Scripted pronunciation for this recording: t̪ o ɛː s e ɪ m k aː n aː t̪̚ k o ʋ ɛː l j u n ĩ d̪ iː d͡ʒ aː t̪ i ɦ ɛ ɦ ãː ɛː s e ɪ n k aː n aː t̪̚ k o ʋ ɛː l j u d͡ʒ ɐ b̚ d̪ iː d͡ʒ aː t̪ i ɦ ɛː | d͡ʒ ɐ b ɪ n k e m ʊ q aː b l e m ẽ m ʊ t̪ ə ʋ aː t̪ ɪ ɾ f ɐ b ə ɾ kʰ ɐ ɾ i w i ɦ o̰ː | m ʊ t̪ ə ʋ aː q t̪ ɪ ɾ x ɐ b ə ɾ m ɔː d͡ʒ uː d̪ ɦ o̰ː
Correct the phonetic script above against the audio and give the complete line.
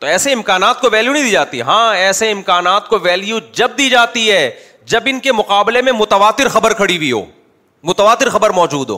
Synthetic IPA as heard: t̪ o ɛː s e ɪ m k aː n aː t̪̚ k o ʋ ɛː l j u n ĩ d̪ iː d͡ʒ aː t̪ i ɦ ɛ ɦ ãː ɛː s e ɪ m k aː n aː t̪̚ k o ʋ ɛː l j u d͡ʒ ɐ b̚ d̪ iː d͡ʒ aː t̪ i ɦ ɛː | d͡ʒ ɐ b ɪ n k e m ʊ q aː b l e m ẽ m ʊ t̪ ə ʋ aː t̪ ɪ ɾ x ɐ b ə ɾ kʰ ɐ ɽ i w i ɦ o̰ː | m ʊ t̪ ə ʋ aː t̪ ɪ ɾ x ɐ b ə ɾ m ɔː d͡ʒ uː d̪ ɦ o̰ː